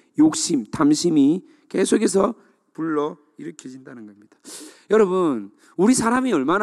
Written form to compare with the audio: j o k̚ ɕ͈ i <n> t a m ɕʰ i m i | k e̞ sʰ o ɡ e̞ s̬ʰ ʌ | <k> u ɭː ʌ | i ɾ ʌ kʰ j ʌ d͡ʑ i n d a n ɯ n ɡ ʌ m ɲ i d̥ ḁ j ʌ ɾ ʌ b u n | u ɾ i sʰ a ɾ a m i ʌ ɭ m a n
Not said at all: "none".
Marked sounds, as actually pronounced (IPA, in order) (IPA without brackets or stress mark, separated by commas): m, p